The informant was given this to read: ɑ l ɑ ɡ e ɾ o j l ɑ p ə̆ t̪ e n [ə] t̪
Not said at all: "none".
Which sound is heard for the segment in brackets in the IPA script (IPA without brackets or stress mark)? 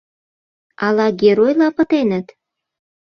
ə